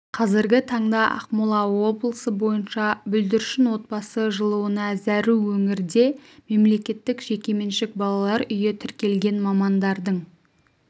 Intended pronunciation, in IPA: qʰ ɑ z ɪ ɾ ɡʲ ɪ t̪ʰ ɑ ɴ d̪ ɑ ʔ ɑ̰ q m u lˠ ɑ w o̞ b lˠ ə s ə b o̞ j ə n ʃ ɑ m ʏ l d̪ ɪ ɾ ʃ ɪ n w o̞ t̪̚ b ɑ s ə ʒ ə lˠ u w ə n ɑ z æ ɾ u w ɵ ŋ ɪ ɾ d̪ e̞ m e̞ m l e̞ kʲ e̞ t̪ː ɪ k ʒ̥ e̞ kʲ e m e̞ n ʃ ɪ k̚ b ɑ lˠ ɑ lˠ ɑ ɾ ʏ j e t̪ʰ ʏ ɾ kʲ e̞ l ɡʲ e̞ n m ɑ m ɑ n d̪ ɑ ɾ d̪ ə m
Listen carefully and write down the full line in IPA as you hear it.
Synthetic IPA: qʰ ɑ z ɪ ɾ ɡʲ ɪ t̪ʰ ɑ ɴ d̪ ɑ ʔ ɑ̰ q m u lˠ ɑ w o̞ b lˠ ə s ə b o̞ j ə n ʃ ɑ b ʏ l d̪ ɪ ɾ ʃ ɪ n w o̞ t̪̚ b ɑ s ə ʒ ə lˠ u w ə n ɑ z æ ɾ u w ɵ ŋ ɪ ɾ d̪ e̞ m e̞ m l e̞ kʲ e̞ t̪ː ɪ k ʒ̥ e̞ kʲ e m e̞ n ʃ ɪ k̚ b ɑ lˠ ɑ lˠ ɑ ɾ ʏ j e t̪ʰ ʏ ɾ kʲ e̞ l ɡʲ e̞ n m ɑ m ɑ n d̪ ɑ ɾ d̪ ə ɴ